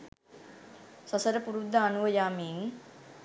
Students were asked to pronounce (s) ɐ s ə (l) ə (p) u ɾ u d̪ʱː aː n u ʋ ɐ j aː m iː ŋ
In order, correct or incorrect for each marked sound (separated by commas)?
correct, incorrect, correct